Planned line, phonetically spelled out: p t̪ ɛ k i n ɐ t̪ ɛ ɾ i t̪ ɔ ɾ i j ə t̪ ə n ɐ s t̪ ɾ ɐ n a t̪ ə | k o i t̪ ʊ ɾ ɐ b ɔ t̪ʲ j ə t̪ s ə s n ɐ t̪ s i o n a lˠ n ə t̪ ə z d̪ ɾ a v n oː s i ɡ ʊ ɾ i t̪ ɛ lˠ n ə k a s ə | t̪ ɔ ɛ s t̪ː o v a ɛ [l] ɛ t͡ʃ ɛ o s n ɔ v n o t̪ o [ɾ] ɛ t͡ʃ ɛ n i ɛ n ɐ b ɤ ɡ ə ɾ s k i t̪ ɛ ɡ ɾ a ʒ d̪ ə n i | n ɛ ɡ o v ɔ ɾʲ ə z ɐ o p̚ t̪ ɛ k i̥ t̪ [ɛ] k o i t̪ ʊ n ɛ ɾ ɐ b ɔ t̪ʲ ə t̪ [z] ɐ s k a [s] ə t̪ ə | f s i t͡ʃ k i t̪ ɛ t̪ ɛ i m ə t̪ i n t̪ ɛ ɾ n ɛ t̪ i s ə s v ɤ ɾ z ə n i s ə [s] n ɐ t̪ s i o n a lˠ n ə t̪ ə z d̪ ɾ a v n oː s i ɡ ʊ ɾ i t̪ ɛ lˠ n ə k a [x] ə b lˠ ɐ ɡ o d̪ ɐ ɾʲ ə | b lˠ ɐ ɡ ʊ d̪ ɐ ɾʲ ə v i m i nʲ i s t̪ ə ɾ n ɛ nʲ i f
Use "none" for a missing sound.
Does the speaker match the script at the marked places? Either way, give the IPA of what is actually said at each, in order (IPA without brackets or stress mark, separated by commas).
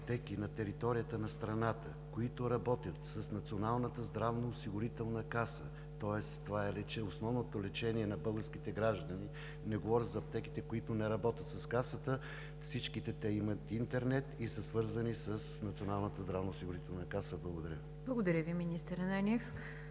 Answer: l, l, ɛ, s, s, s, s